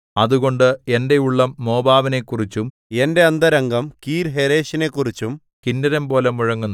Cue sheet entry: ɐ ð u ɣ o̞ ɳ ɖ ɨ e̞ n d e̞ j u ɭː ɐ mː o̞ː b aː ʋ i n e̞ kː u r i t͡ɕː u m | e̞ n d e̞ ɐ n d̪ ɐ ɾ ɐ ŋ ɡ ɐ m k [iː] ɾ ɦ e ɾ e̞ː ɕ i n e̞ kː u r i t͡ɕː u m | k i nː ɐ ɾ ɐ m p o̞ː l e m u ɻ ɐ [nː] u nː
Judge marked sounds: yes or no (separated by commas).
yes, no